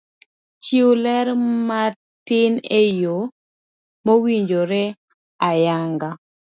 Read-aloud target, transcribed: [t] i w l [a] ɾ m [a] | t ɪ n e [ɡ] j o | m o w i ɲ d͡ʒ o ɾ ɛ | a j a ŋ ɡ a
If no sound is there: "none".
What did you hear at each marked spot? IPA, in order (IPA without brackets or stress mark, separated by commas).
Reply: t͡ʃ, ɛ, a, none